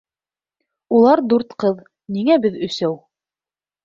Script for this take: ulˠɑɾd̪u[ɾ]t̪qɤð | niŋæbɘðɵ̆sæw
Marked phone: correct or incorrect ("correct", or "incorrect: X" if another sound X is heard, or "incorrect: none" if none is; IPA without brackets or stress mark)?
correct